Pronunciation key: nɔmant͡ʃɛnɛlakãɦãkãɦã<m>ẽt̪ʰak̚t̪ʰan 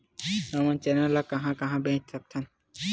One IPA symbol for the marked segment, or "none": b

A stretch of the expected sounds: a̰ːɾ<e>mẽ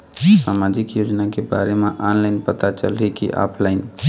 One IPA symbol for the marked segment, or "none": e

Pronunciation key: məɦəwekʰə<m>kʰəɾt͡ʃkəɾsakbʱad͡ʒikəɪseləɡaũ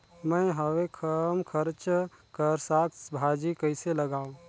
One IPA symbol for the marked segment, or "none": m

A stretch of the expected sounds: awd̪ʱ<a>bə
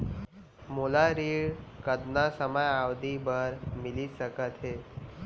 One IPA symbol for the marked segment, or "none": i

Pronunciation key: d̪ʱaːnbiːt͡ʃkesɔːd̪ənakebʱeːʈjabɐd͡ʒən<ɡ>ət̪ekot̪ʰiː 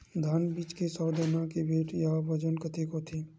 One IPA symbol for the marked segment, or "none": k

